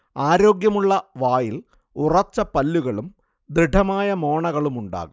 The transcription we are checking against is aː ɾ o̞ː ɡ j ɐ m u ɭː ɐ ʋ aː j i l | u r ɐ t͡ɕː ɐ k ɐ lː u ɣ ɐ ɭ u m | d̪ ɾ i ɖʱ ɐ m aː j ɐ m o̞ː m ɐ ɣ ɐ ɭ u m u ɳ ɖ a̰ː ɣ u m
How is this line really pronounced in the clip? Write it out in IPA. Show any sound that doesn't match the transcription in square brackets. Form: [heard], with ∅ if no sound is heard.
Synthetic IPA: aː ɾ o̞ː ɡ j ɐ m u ɭː ɐ ʋ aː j i l | u r ɐ t͡ɕː ɐ [p] ɐ lː u ɣ ɐ ɭ u m | d̪ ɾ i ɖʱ ɐ m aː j ɐ m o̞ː [ɳ] ɐ ɣ ɐ ɭ u m u ɳ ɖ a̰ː ɣ u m